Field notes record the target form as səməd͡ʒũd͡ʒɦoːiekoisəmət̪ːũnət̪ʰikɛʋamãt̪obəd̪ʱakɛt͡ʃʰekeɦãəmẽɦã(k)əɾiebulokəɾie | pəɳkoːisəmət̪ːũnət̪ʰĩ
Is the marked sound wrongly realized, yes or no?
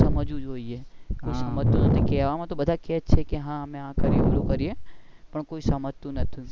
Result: no